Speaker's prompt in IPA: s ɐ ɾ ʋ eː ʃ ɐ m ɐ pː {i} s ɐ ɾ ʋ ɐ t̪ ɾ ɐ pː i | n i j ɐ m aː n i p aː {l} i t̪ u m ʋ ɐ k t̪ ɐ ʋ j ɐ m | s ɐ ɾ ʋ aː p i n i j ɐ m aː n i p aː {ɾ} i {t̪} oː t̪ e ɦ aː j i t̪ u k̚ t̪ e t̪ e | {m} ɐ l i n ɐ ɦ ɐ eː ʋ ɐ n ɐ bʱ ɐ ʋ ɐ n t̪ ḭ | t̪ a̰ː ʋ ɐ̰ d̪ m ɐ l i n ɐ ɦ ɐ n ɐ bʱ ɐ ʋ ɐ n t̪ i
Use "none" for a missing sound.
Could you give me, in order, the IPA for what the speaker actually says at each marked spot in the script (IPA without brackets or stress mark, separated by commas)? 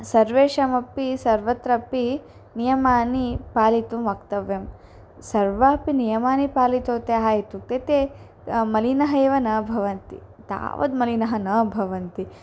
i, l, l, t̪, m